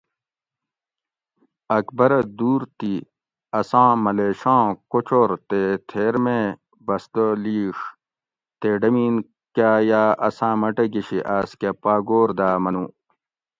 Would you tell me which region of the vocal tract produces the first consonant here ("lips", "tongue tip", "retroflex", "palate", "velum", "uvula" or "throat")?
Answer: velum